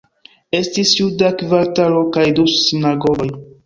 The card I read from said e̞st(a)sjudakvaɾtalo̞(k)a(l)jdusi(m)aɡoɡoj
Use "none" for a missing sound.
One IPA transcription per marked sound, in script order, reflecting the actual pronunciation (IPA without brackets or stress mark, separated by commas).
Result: i, k, none, n